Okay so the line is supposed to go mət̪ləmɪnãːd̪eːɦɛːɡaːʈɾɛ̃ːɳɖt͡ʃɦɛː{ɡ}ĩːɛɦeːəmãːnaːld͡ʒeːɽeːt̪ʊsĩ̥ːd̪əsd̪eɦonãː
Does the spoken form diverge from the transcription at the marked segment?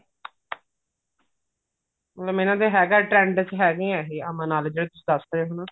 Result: no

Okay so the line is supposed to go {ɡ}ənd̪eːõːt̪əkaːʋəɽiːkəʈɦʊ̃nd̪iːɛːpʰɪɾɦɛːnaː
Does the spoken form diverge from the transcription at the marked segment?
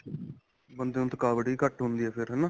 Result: yes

